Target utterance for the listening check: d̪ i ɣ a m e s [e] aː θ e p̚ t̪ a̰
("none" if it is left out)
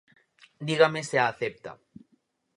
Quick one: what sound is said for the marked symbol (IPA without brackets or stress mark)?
e